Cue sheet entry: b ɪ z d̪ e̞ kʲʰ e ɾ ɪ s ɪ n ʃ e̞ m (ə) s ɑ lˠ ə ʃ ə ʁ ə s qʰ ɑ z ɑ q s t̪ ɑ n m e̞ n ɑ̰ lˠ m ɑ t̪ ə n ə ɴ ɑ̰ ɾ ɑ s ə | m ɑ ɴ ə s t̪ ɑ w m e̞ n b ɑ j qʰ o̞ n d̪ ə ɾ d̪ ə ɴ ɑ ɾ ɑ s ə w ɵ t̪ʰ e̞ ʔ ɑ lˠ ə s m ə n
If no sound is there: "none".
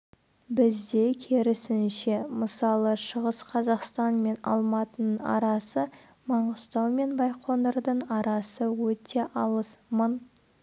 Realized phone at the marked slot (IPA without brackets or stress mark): ə